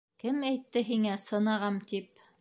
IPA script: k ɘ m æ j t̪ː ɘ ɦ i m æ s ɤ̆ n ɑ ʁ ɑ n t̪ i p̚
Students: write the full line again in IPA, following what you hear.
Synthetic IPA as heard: k ɘ m æ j t̪ː ɘ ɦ i ŋ æ s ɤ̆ n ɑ ʁ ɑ m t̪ i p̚